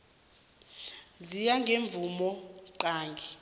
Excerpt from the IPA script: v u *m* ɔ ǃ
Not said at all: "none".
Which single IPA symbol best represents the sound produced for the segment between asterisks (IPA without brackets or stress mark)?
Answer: m